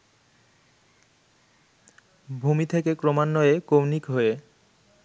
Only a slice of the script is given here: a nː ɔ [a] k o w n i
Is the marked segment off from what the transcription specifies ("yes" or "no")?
yes